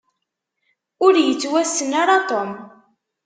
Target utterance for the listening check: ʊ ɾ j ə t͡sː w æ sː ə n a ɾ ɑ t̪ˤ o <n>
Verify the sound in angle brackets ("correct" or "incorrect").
incorrect